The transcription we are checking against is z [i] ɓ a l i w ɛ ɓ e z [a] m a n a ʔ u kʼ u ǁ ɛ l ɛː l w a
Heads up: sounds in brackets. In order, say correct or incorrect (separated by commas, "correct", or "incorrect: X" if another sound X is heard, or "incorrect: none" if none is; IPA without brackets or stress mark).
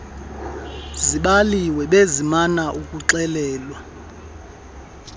correct, incorrect: i